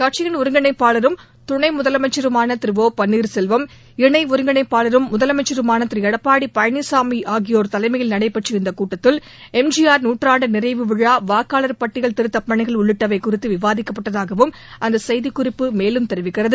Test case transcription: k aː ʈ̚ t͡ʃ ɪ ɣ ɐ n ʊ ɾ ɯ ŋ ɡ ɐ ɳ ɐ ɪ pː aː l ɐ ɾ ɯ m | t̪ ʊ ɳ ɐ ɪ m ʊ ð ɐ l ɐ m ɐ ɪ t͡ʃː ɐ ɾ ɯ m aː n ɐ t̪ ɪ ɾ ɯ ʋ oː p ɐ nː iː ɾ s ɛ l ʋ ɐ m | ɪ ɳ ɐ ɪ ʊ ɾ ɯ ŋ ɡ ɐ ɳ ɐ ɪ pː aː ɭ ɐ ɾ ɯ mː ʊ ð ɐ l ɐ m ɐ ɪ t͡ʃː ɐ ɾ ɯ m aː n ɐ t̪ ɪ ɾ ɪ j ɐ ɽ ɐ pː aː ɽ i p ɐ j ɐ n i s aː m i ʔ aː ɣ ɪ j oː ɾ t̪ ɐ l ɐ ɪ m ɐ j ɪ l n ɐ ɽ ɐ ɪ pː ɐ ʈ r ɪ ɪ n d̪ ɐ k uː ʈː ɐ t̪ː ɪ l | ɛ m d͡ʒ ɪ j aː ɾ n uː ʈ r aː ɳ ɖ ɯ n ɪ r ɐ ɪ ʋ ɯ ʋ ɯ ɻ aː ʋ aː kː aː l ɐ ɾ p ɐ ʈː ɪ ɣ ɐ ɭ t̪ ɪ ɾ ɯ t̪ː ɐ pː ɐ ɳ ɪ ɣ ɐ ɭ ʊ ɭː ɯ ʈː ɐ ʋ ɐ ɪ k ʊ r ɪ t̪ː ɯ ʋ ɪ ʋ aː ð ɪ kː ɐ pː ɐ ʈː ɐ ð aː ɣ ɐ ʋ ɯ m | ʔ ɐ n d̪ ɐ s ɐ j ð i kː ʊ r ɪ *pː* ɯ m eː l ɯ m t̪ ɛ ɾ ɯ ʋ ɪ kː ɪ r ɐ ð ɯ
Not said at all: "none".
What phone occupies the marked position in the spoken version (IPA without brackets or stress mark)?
pː